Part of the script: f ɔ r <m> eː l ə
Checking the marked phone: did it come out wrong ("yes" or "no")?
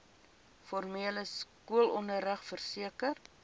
no